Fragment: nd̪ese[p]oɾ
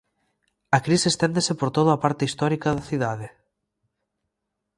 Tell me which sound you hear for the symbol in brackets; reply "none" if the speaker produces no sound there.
p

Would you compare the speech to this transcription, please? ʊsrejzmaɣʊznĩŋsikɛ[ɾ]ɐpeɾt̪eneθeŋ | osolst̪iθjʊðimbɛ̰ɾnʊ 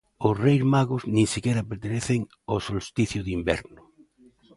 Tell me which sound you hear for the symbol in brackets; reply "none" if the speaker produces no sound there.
ɾ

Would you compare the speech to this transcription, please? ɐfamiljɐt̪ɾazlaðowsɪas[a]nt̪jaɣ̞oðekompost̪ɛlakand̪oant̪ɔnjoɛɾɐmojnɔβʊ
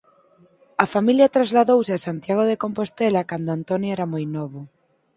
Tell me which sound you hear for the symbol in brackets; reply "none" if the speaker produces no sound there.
a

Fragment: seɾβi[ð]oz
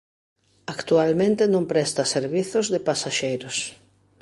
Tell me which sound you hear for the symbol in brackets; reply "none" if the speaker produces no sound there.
θ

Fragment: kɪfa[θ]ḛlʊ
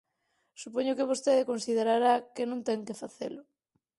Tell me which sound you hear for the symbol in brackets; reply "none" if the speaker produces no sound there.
θ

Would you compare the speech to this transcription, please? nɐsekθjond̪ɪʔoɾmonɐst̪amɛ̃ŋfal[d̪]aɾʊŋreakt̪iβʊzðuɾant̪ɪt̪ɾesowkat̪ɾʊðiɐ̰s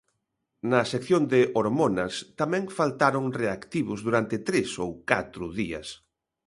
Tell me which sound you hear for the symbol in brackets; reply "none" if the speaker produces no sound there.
t̪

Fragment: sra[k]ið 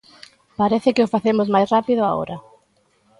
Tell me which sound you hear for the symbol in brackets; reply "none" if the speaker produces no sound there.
p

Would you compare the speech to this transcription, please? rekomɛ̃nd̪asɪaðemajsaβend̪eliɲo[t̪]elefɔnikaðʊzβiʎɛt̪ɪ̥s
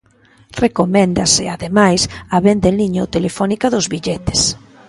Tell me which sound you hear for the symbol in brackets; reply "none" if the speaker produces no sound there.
t̪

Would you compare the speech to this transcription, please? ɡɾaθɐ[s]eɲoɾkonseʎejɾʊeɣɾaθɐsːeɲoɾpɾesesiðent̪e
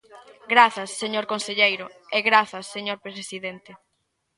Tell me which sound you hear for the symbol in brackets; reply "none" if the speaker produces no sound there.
sː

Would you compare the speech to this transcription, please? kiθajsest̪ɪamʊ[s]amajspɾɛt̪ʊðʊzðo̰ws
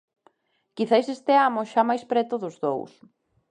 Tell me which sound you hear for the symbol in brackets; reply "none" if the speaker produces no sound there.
ʃ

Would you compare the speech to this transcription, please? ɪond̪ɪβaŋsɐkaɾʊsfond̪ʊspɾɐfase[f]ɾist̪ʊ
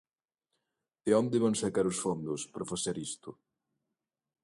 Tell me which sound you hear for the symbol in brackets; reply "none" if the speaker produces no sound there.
none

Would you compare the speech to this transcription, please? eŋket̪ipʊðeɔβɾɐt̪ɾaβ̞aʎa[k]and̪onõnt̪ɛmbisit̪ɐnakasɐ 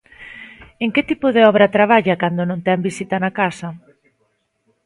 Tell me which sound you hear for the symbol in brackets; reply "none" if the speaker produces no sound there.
k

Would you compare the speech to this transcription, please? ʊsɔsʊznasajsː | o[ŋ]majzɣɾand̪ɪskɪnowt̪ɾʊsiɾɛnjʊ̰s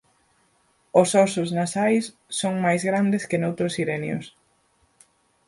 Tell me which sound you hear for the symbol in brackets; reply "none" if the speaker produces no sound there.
ŋ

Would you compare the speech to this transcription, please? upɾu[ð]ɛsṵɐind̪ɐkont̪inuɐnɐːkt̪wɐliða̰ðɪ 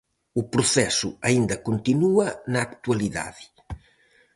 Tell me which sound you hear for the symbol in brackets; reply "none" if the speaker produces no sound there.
θ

